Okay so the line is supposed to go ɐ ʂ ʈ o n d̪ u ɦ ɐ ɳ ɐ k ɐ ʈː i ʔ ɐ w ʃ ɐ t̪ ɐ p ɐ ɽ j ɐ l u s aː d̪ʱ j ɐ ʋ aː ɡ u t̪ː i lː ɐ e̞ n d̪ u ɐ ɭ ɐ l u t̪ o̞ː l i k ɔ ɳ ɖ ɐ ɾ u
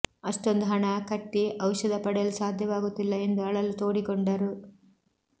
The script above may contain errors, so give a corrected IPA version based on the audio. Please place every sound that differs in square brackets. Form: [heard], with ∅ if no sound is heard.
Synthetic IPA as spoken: ɐ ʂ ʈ o n d̪ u ɦ ɐ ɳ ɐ k ɐ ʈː i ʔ ɐ w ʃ ɐ [d̪] ɐ p ɐ ɽ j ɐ l u s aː d̪ʱ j ɐ ʋ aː ɡ u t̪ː i lː ɐ e̞ n d̪ u ɐ ɭ ɐ l u t̪ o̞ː [ɽ] i k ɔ ɳ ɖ ɐ ɾ u